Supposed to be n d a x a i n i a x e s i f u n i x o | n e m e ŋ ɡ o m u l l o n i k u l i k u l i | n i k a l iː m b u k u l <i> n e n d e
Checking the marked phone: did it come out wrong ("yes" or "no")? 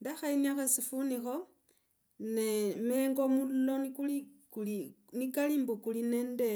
no